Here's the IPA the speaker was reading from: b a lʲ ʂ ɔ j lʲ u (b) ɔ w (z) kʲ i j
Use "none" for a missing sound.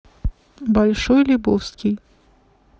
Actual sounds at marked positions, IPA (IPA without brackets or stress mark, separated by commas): b, s